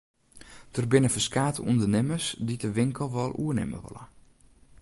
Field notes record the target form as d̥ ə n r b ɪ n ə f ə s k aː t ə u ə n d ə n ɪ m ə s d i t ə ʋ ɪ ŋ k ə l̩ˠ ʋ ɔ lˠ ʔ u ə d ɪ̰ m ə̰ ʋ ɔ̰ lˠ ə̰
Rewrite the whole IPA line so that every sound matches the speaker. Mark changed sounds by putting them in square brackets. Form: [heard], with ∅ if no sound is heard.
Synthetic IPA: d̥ ə [∅] r b ɪ n ə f ə s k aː t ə u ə n d ə n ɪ m ə s d i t ə ʋ ɪ ŋ k ə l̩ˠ ʋ ɔ lˠ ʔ u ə [n] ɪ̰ m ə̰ ʋ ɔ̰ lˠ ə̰